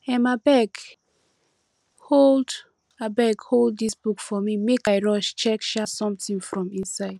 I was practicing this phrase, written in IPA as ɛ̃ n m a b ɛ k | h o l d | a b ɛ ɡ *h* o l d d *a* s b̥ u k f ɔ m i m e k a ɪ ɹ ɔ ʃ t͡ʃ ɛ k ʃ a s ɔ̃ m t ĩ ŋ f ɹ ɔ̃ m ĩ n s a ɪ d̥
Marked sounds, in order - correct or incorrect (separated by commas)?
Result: correct, incorrect